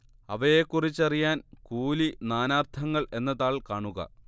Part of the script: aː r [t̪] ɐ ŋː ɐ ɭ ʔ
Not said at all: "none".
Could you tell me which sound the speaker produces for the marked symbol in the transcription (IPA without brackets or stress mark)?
t̪ʰ